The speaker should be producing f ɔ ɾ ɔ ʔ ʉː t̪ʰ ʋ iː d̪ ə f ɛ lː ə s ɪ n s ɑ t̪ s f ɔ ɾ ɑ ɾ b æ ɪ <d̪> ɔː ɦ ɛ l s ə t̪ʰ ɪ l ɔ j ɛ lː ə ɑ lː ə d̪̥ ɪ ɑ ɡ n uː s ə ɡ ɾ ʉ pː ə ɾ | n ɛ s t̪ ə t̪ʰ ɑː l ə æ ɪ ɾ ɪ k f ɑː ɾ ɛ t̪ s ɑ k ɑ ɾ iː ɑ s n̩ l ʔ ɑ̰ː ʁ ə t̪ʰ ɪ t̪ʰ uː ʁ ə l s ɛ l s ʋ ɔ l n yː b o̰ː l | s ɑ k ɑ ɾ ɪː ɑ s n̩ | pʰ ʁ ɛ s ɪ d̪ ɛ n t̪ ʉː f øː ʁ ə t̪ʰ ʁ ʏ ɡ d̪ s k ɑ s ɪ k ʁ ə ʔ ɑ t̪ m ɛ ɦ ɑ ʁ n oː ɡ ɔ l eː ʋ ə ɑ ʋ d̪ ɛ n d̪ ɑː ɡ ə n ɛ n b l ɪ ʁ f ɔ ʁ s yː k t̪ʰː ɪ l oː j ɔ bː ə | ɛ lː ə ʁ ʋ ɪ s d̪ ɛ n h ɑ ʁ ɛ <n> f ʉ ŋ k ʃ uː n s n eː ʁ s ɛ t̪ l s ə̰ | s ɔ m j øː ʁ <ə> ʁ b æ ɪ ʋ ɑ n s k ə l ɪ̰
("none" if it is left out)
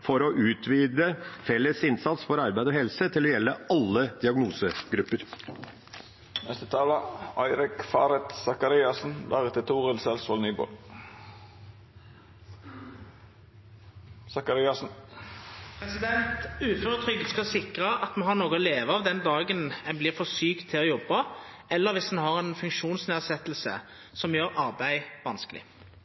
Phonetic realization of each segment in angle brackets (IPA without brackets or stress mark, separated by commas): d̪, n, ɑ